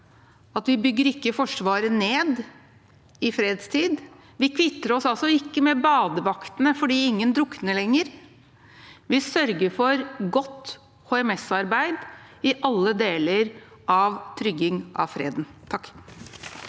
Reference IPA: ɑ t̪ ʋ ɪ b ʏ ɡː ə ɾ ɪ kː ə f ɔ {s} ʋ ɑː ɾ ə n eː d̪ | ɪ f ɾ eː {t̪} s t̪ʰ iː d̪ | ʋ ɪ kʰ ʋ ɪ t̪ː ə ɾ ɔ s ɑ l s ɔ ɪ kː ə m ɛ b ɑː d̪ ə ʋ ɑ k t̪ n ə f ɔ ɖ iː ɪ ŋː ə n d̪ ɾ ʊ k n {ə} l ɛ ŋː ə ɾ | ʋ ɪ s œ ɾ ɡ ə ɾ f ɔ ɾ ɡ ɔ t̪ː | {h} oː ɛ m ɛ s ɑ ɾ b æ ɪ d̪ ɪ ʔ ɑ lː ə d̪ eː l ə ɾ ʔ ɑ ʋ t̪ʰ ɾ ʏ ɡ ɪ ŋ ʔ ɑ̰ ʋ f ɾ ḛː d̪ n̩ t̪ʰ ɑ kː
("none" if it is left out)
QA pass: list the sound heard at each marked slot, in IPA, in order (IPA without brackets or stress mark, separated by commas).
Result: ʂ, d̪, ə, h